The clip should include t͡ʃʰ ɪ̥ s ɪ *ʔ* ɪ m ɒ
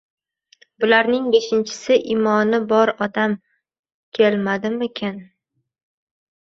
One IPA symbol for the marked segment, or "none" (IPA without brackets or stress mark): ʔ